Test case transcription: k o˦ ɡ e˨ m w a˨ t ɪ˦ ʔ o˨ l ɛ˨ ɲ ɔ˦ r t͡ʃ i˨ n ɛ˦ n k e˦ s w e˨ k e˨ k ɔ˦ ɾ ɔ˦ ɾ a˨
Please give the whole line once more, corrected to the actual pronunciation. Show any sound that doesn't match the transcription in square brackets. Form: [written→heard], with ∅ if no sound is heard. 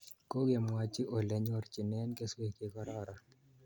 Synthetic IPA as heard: k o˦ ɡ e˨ m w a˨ [t→t͡ʃ] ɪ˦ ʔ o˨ l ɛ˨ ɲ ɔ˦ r t͡ʃ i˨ n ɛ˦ n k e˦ s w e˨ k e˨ k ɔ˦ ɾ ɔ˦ ɾ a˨